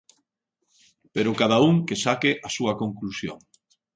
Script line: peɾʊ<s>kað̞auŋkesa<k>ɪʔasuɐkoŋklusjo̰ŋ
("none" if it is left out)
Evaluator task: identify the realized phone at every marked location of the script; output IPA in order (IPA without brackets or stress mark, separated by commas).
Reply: none, k